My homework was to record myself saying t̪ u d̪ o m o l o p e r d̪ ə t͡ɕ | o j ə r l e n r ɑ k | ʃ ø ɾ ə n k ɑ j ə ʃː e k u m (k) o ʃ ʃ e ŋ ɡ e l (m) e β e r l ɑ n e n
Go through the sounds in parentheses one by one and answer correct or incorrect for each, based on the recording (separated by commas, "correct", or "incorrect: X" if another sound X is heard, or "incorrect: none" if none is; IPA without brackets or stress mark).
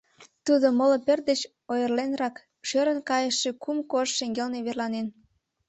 correct, incorrect: n